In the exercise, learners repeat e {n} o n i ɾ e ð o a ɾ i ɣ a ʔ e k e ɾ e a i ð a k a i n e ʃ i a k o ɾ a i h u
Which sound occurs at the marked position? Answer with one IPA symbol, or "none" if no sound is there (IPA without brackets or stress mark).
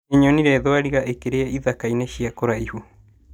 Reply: ɲ